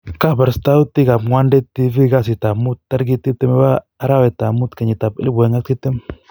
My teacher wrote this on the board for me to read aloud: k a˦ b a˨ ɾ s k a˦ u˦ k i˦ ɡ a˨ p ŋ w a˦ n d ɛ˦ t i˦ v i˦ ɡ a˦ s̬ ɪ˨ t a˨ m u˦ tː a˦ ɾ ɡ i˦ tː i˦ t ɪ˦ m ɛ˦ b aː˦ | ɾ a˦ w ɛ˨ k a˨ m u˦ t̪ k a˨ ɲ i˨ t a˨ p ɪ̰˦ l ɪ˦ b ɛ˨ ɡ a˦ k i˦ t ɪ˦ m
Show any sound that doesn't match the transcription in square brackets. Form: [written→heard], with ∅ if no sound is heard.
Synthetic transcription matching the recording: k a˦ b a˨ ɾ s [k→t] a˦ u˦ [k→t] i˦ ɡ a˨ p ŋ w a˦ n d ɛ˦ t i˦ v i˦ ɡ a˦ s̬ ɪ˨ t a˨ m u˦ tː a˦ ɾ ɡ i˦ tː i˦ t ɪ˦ m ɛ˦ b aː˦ | ɾ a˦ w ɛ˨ [k→t] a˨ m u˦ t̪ k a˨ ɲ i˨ t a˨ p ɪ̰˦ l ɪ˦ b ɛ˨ [ɡ→ŋ] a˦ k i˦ t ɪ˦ m